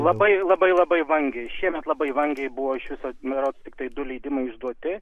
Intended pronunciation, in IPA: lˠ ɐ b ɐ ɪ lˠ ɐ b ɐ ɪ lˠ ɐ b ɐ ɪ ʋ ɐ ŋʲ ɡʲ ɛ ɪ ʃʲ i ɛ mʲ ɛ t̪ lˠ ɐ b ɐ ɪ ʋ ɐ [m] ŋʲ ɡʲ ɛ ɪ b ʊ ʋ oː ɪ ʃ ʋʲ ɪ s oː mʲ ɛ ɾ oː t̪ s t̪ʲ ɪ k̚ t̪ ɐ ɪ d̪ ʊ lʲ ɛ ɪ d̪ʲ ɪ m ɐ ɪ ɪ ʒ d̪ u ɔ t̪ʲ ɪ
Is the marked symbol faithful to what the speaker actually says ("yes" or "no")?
no